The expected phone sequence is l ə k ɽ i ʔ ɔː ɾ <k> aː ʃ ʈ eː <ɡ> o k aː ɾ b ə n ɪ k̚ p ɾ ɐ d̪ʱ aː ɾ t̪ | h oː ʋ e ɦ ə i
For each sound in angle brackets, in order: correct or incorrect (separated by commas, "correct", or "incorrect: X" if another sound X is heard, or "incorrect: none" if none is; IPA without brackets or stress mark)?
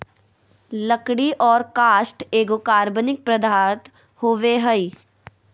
correct, correct